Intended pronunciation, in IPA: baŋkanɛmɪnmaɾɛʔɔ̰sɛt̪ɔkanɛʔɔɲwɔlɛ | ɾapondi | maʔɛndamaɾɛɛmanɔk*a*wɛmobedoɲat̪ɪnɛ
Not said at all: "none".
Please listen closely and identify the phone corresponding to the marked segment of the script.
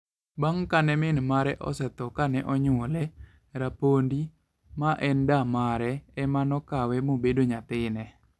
a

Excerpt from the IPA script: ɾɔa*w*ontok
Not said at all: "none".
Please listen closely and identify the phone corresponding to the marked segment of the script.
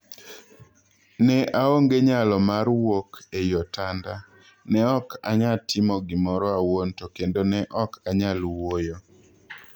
w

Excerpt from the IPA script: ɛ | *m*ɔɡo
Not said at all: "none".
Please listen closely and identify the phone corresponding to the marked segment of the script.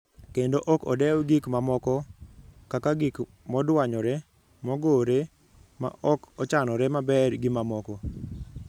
m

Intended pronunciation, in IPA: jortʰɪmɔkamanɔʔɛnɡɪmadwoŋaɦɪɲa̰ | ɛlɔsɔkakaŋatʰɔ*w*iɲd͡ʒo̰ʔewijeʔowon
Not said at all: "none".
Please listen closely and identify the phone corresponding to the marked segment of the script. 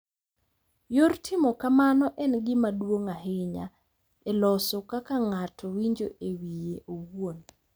w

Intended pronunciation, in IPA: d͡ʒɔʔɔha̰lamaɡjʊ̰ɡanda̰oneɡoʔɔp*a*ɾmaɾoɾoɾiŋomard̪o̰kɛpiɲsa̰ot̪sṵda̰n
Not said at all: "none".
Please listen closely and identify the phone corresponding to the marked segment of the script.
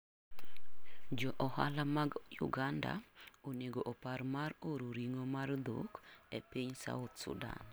a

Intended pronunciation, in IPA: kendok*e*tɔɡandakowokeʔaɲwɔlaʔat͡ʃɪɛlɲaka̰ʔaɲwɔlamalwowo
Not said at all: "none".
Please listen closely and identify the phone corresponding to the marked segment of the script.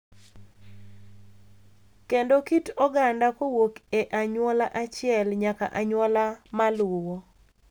i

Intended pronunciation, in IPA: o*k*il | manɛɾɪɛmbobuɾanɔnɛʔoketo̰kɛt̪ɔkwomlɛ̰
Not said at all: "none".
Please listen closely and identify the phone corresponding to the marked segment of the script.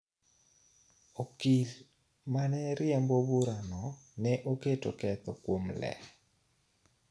k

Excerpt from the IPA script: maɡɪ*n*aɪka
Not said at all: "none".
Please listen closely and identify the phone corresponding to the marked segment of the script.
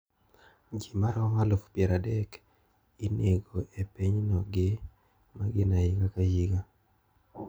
n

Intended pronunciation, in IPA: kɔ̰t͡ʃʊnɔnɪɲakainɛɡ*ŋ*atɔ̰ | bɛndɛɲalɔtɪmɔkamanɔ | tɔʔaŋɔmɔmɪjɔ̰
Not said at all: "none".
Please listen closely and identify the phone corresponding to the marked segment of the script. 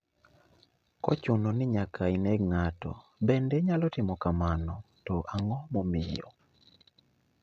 ŋ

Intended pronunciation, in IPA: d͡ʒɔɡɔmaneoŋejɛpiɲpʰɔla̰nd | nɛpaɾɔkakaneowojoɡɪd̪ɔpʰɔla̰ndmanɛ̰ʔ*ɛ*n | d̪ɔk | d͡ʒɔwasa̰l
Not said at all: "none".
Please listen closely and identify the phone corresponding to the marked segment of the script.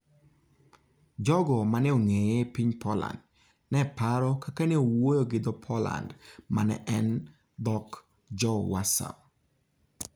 ɛ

